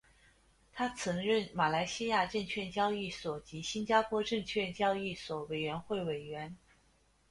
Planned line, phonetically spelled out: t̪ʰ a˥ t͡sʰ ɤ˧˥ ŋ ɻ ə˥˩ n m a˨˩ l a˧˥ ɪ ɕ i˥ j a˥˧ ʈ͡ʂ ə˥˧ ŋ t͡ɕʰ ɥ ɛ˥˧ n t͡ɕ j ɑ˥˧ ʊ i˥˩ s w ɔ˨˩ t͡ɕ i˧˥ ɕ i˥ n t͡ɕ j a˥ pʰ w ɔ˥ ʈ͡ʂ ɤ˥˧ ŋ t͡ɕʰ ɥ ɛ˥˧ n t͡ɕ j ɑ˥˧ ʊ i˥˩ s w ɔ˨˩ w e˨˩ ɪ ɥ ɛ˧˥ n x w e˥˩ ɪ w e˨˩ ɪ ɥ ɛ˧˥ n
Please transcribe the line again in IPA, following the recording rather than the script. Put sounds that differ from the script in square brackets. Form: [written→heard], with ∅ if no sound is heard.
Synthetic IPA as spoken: t̪ʰ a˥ t͡sʰ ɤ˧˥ ŋ ɻ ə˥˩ n m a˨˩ l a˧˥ ɪ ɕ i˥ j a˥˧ ʈ͡ʂ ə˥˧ ŋ t͡ɕʰ ɥ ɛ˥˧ n t͡ɕ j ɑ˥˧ ʊ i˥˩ s w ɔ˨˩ t͡ɕ i˧˥ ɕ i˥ n t͡ɕ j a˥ pʰ w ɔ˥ ʈ͡ʂ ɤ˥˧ ŋ t͡ɕʰ ɥ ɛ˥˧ n t͡ɕ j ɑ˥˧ ʊ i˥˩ s w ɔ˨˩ w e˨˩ ɪ ɥ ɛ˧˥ n x w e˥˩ ɪ w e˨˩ ɪ ɥ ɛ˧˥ n